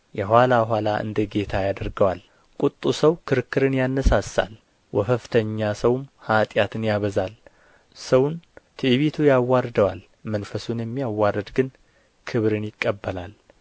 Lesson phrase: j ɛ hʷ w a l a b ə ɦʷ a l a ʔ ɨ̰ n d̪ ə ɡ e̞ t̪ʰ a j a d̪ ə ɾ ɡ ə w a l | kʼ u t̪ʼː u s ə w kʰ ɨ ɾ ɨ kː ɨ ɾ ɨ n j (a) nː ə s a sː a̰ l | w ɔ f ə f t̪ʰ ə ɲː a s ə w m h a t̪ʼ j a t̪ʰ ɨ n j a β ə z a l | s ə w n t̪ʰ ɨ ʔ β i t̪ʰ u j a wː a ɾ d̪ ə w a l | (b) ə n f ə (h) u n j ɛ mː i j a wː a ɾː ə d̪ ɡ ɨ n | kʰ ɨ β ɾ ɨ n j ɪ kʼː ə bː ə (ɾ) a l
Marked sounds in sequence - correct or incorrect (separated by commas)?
correct, incorrect, incorrect, incorrect